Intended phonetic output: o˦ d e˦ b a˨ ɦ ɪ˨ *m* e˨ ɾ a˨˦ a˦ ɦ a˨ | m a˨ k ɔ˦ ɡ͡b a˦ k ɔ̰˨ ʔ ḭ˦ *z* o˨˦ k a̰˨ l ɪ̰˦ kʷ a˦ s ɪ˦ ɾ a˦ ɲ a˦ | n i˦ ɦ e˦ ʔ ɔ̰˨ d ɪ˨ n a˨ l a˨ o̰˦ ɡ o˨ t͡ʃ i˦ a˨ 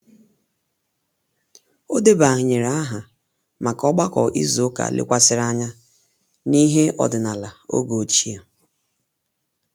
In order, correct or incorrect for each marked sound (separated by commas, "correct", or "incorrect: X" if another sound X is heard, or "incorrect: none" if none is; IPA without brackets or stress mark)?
incorrect: ɲ, correct